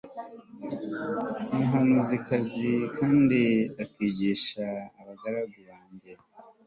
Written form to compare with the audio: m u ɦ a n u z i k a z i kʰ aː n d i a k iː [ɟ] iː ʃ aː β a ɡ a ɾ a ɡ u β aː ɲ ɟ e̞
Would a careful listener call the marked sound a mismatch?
no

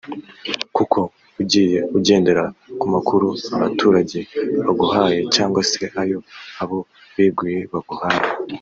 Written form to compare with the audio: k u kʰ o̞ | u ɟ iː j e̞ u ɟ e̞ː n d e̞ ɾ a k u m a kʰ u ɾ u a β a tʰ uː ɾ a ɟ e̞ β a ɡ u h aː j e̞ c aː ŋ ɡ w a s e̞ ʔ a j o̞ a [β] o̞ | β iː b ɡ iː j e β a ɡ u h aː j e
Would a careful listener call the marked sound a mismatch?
no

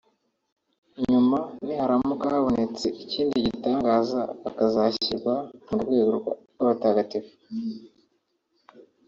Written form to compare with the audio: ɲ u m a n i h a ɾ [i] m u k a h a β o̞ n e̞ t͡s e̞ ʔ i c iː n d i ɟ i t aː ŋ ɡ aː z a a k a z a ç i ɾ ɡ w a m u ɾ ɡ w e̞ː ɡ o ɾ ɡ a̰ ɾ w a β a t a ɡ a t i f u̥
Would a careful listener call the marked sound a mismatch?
yes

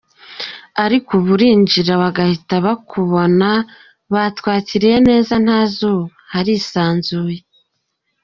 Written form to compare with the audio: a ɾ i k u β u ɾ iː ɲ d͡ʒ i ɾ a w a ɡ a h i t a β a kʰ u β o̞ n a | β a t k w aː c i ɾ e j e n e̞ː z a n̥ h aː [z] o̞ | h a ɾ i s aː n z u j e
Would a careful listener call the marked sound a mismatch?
no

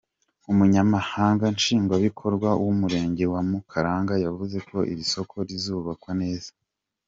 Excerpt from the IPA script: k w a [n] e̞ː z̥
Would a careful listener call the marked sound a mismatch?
no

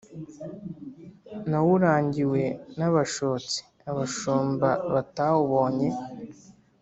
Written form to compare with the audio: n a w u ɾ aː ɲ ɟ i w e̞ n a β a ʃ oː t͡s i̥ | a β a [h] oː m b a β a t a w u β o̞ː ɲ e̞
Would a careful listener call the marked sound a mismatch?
yes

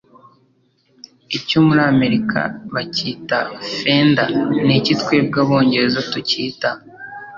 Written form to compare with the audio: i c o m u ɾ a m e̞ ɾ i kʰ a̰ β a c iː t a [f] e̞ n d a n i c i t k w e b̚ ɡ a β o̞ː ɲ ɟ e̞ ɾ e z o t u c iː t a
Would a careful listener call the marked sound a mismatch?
no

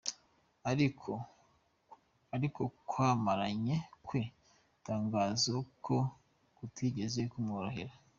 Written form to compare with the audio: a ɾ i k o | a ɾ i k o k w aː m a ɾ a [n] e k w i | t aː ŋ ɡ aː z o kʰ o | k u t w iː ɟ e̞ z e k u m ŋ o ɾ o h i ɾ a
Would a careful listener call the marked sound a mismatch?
yes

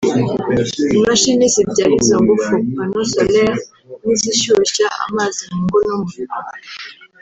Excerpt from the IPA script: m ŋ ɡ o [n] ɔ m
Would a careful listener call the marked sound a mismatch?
no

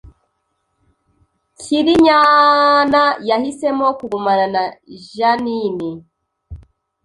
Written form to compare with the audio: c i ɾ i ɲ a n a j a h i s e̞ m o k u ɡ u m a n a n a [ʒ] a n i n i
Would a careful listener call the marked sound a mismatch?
no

